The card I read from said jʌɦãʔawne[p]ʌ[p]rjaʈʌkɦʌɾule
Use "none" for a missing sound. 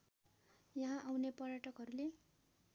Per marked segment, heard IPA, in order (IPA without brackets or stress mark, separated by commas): p, none